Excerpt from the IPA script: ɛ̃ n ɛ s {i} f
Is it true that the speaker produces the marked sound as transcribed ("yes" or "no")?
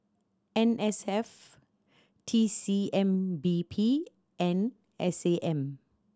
no